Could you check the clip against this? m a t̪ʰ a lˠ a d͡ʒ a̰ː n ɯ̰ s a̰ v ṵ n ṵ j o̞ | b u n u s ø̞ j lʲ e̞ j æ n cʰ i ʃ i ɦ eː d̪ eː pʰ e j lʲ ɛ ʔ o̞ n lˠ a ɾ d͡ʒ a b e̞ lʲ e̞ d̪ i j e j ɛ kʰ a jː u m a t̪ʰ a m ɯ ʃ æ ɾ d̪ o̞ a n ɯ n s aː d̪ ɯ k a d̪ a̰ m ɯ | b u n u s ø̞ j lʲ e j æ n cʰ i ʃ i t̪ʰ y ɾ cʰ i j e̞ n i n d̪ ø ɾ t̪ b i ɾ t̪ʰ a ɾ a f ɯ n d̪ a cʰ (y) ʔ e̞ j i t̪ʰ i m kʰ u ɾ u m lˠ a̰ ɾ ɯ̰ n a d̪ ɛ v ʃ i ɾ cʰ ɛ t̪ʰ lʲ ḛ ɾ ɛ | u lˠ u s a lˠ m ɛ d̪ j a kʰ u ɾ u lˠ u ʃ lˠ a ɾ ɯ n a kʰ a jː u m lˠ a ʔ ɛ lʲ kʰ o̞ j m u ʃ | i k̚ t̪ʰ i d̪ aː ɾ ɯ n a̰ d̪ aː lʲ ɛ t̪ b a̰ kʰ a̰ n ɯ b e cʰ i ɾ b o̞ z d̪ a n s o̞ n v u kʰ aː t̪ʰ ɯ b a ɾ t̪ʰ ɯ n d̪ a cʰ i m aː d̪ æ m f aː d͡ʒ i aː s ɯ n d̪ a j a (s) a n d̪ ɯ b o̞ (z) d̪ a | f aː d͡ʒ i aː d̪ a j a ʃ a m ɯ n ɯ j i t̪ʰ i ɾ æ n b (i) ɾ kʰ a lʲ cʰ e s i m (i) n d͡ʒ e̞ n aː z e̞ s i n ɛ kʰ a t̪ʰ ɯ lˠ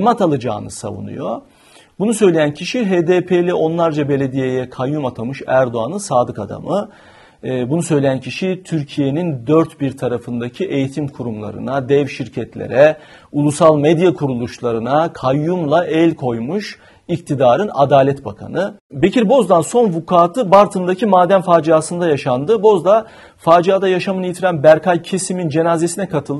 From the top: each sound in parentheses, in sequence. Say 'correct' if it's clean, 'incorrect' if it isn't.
incorrect, incorrect, correct, incorrect, correct

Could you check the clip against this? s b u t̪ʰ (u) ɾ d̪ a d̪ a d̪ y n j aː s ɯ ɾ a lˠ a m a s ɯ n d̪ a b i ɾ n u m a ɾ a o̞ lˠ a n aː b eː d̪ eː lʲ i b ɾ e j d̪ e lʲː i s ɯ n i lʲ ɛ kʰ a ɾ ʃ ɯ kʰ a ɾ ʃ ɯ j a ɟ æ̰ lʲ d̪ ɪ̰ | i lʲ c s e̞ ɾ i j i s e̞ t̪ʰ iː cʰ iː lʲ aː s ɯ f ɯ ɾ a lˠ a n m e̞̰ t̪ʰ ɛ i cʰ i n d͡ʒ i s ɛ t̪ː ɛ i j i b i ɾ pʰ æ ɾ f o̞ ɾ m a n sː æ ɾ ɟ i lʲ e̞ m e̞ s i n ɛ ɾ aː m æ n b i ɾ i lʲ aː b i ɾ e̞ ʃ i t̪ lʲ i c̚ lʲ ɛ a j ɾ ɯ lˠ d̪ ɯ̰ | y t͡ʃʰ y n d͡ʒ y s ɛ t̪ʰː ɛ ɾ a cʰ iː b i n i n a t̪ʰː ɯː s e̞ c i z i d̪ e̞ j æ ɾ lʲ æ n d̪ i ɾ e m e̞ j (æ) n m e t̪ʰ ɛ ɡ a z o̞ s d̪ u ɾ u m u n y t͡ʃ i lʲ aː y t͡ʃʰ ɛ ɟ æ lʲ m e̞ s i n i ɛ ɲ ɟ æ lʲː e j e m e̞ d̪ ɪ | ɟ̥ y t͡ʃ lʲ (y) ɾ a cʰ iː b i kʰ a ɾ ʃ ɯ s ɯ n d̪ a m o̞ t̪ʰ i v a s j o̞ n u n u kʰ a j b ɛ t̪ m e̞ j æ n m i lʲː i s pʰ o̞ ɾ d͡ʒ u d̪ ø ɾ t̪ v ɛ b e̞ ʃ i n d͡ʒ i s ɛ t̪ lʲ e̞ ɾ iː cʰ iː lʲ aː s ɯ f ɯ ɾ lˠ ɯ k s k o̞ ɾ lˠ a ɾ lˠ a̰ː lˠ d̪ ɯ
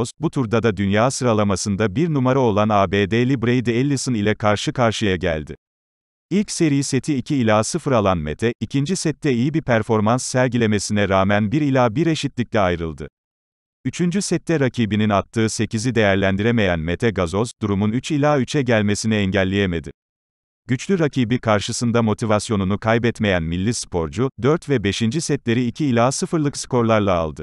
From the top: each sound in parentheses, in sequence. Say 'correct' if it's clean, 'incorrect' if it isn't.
correct, correct, correct

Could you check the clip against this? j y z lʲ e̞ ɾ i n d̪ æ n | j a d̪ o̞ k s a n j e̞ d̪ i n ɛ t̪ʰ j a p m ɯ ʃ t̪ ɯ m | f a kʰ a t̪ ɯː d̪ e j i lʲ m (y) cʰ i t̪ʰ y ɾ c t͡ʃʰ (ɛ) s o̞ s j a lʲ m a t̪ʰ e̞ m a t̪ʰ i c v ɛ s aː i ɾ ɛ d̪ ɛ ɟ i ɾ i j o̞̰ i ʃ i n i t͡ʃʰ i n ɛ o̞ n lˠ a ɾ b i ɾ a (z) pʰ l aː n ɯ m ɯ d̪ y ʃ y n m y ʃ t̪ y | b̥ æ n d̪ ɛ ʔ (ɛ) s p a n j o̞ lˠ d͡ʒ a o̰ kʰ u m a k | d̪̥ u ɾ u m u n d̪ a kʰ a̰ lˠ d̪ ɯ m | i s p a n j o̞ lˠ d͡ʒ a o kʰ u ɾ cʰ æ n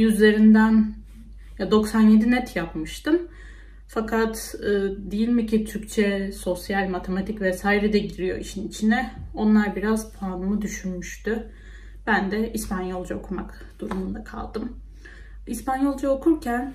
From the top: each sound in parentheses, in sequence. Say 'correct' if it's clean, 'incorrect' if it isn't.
incorrect, correct, correct, incorrect

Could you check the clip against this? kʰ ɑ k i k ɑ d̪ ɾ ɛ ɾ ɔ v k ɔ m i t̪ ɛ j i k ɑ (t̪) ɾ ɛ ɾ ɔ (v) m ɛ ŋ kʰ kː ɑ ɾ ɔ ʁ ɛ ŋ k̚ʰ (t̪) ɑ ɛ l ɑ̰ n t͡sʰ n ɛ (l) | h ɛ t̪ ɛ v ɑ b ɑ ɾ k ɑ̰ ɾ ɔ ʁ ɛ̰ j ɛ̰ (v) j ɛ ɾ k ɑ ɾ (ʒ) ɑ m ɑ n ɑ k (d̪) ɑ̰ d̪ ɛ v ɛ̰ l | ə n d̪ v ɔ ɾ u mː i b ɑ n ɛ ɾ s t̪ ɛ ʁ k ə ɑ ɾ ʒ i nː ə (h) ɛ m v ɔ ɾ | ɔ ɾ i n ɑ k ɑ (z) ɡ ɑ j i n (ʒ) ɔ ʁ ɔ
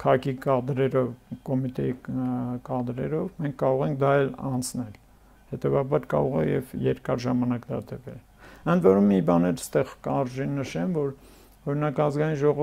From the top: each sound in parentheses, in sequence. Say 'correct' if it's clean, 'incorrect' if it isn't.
incorrect, correct, incorrect, correct, correct, correct, correct, incorrect, correct, correct

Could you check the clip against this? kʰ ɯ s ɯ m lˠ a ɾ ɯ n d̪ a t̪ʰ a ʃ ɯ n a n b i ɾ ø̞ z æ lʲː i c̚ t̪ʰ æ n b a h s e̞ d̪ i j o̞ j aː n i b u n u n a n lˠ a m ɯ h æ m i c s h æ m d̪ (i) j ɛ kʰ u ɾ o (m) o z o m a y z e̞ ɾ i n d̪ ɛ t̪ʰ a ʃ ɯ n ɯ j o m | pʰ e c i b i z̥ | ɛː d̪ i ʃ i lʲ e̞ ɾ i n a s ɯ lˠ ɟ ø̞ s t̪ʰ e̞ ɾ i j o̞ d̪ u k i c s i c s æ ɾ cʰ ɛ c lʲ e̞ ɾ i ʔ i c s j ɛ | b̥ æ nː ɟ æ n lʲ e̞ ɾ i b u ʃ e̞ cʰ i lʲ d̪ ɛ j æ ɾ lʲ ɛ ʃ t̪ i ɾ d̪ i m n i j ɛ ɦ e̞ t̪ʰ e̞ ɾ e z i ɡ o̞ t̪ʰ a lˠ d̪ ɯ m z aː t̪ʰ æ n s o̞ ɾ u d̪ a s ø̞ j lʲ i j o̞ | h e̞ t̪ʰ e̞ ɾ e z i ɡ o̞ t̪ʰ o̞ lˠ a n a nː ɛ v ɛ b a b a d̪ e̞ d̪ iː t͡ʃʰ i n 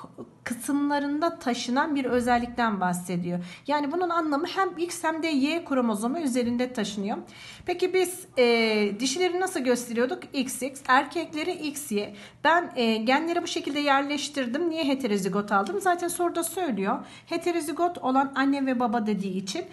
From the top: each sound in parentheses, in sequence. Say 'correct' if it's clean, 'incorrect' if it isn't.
incorrect, correct

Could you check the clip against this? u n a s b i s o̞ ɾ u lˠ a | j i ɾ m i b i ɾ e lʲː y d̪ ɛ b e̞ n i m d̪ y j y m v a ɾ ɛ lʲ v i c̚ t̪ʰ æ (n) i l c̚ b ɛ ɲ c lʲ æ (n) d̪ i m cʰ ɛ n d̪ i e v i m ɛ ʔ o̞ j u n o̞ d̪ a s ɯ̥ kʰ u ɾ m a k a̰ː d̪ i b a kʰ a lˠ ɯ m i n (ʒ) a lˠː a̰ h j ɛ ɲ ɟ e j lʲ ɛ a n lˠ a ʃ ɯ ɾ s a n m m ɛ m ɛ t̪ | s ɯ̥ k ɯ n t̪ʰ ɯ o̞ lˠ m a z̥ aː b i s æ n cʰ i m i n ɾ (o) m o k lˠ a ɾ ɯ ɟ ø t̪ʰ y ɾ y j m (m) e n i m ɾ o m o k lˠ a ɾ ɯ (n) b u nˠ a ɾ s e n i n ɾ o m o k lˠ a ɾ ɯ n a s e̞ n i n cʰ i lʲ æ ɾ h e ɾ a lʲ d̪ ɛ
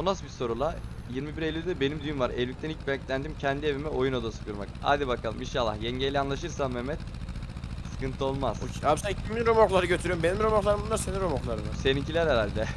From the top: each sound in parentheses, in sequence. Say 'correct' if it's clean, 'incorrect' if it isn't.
correct, correct, incorrect, correct, incorrect, incorrect

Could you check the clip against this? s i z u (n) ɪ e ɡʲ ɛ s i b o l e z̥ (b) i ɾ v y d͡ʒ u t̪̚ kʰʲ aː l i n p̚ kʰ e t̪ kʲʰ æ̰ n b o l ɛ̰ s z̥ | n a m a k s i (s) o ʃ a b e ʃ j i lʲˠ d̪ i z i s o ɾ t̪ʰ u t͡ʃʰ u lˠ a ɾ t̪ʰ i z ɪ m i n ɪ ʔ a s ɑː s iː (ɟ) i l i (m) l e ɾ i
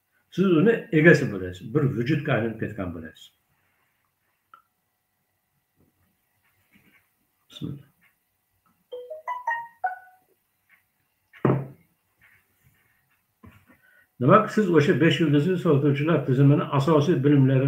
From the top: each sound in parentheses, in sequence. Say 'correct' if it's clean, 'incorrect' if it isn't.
correct, correct, incorrect, incorrect, correct

